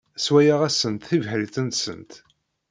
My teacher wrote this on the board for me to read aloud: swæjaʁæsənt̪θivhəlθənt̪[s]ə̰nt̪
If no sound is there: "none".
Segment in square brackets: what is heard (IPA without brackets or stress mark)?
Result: s